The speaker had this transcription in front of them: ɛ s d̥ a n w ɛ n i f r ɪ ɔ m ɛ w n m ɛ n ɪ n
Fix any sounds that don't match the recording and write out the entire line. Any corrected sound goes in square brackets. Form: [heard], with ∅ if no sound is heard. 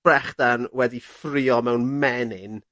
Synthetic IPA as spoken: ɛ [χ] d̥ a n w ɛ [d] i f r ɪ ɔ m ɛ w n m ɛ n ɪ n